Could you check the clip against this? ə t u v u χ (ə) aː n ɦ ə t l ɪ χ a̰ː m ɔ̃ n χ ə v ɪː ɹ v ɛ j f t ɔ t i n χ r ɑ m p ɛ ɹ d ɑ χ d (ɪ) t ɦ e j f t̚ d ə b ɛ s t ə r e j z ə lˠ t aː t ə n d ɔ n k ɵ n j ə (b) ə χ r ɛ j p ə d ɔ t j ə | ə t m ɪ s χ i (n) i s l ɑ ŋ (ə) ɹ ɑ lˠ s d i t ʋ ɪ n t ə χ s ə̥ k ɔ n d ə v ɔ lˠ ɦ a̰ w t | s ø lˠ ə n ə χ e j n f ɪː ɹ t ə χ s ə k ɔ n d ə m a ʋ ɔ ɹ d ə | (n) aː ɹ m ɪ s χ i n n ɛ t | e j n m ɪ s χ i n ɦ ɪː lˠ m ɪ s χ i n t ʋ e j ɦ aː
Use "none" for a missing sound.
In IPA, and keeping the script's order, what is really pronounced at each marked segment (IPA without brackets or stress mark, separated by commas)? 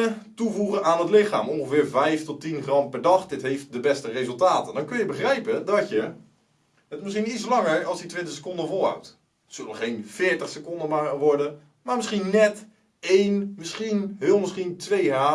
ə, ɪ, b, n, ə, m